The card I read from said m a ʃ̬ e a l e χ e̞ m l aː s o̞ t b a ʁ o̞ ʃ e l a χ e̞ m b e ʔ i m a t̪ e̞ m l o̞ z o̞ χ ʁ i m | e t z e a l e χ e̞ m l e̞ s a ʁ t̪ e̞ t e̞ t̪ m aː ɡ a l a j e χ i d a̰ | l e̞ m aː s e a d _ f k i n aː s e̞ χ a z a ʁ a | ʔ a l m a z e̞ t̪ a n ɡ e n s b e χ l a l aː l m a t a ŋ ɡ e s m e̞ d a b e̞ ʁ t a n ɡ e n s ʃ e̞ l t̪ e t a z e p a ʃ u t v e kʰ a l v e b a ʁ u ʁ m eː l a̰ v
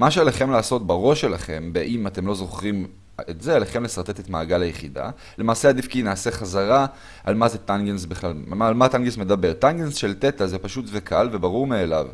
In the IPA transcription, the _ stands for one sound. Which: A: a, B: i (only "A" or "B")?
B